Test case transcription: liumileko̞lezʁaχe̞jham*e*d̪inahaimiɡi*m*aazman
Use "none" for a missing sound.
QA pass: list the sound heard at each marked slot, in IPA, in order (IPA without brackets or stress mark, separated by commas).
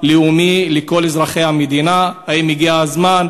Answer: e, none